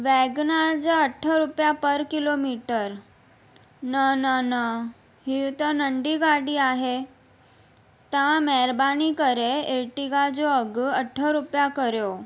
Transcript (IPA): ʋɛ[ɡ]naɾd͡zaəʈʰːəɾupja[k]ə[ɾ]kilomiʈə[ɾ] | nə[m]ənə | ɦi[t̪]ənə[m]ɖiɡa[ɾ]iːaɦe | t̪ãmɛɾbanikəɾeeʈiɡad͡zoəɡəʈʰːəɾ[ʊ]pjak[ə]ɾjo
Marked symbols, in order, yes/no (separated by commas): yes, no, yes, yes, no, yes, no, no, no, yes